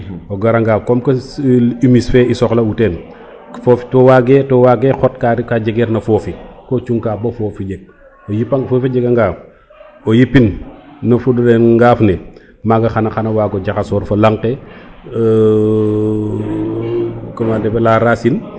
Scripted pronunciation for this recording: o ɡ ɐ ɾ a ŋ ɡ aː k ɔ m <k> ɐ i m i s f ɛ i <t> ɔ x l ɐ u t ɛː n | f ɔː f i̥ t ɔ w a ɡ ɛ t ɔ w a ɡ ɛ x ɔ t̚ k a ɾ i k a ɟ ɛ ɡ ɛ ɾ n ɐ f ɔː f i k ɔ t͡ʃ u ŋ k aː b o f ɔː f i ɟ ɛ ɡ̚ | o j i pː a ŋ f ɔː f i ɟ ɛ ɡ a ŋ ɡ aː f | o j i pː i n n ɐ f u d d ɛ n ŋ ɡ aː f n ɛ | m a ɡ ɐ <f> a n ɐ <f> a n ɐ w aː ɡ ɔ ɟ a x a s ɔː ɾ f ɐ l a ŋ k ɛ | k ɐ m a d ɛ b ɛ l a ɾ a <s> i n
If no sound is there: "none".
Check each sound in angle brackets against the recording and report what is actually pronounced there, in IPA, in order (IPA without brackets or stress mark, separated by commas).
k, s, x, x, s